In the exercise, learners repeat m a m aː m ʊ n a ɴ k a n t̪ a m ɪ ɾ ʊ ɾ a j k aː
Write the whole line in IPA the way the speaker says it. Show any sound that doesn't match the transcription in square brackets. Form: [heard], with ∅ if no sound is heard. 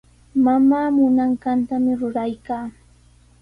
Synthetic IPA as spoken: m a m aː m ʊ n a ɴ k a n t̪ a m ɪ ɾ ʊ ɾ a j k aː